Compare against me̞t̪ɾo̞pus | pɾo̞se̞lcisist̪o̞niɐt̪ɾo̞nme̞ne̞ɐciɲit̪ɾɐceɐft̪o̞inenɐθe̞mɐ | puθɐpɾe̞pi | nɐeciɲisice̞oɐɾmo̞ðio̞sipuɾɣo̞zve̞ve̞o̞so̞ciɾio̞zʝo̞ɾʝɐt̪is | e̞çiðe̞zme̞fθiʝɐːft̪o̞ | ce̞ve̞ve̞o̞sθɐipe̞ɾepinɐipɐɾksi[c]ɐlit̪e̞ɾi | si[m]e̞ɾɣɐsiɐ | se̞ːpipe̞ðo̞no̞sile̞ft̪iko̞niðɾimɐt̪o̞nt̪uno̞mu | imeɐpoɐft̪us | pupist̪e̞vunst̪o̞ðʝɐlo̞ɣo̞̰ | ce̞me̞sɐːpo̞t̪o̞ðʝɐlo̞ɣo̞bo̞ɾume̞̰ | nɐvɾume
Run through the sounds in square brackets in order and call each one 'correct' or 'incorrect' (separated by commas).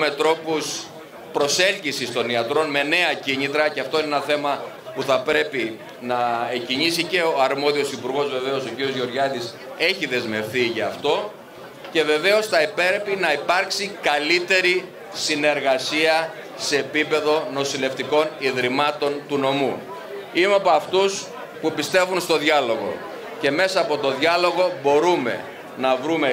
incorrect, incorrect